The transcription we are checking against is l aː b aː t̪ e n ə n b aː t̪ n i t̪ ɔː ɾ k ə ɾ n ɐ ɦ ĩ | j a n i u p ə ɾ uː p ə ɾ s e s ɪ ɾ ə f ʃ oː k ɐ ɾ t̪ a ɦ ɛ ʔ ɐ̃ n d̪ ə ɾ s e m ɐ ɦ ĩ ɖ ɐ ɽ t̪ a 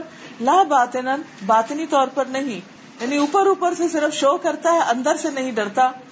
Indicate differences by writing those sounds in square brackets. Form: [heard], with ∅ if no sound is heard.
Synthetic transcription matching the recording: l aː b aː t̪ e n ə n b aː t̪ n i t̪ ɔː ɾ [p] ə ɾ n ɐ ɦ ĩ | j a n i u p ə ɾ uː p ə ɾ s e s ɪ ɾ ə f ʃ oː k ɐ ɾ t̪ a ɦ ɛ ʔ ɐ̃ n d̪ ə ɾ s e [n] ɐ ɦ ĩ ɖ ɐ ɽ t̪ a